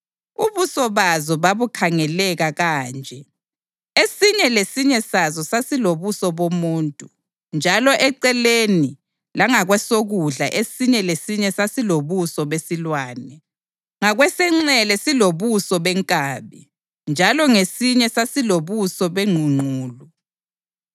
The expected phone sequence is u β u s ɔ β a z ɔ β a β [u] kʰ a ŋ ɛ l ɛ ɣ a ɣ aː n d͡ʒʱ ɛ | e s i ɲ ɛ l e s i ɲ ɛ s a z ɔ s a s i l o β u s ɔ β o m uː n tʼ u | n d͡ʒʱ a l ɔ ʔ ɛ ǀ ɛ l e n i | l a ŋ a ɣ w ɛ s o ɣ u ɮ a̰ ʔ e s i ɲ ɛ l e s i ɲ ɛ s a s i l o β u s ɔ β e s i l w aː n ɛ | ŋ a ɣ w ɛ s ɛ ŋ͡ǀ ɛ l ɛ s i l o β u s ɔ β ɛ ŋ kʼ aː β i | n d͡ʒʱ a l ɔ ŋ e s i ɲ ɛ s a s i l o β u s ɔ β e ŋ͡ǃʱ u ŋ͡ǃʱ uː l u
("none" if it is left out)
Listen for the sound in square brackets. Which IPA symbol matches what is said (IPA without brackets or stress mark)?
u